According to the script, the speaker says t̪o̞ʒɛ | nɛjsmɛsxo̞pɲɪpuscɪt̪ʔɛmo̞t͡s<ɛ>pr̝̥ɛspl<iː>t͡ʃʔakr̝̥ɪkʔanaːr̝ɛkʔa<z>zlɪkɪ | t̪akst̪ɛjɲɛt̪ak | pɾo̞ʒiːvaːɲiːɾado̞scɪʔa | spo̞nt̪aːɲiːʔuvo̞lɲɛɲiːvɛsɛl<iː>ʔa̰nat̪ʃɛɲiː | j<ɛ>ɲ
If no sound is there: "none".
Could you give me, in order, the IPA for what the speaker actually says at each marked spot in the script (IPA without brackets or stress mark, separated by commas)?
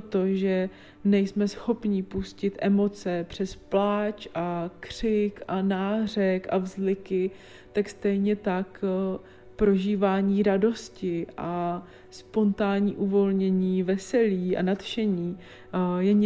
ɛ, aː, v, iː, ɛ